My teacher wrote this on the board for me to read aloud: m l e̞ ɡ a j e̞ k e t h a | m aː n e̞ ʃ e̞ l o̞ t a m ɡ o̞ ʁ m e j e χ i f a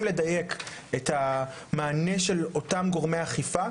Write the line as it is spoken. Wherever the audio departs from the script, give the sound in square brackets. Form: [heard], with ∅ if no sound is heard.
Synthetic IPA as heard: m l e̞ [d] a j e̞ k e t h a | m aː n e̞ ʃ e̞ l o̞ t a m ɡ o̞ ʁ m e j [a] χ i f a